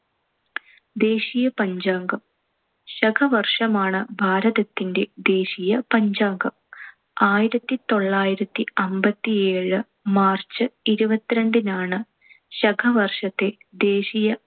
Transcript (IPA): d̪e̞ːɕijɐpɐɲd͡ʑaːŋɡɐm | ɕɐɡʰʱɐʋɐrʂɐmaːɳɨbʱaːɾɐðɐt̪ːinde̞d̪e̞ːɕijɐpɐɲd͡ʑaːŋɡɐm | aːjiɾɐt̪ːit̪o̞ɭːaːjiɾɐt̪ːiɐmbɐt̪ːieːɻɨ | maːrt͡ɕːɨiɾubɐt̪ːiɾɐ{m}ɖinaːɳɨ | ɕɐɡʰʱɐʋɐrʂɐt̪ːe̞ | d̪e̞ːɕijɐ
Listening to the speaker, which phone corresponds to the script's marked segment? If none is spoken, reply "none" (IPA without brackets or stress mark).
ɳ